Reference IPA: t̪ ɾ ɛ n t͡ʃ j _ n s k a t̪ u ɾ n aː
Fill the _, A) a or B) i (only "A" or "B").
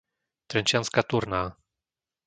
A